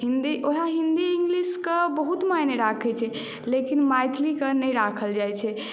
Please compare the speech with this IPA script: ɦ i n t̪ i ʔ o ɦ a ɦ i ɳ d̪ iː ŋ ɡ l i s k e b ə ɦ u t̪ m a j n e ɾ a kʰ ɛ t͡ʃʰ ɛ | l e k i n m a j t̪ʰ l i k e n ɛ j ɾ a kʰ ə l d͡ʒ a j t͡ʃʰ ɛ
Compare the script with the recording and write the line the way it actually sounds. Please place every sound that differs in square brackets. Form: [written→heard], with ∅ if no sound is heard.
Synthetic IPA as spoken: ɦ i n [t̪→d̪] i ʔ o ɦ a ɦ i [ɳ→n] d̪ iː ŋ ɡ l i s k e b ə ɦ u t̪ m a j n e ɾ a kʰ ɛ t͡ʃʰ ɛ | l e k i n m a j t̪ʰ l i k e n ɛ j ɾ a kʰ ə l d͡ʒ a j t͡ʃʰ ɛ